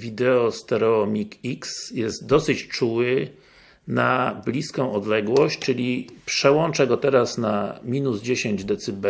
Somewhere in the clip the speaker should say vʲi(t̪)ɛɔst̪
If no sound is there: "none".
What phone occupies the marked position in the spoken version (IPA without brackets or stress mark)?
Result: d̪